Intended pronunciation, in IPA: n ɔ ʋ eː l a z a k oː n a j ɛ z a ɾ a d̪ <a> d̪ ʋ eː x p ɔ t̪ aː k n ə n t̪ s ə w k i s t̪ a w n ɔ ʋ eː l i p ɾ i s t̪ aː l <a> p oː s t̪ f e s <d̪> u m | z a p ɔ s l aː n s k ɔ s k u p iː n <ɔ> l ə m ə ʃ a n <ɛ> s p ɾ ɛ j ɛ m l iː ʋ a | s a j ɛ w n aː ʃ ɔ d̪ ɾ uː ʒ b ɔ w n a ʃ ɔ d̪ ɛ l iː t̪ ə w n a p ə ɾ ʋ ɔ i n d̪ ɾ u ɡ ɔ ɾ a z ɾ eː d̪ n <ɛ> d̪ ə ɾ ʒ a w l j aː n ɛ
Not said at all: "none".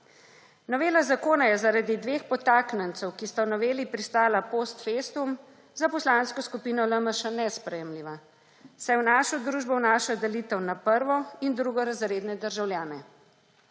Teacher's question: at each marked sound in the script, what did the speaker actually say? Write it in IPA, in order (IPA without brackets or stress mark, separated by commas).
i, a, t̪, ɔ, ɛ, ɛ